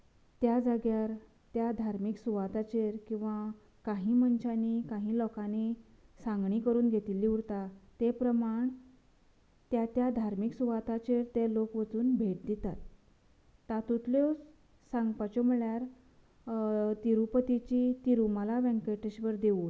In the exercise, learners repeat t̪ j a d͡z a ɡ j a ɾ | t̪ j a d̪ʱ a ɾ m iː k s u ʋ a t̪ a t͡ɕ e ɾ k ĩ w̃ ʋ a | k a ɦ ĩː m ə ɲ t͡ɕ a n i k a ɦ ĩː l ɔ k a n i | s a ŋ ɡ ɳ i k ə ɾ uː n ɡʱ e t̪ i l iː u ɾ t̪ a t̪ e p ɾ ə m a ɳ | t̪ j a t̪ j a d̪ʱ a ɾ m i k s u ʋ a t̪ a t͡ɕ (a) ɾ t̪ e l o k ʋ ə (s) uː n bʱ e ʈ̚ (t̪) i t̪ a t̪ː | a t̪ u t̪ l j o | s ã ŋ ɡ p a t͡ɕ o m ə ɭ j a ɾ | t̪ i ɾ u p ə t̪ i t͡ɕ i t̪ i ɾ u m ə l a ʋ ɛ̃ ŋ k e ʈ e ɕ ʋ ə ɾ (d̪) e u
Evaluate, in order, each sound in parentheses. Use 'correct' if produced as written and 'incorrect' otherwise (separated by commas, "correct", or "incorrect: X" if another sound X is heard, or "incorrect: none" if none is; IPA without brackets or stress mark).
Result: incorrect: e, incorrect: t͡s, incorrect: d̪, correct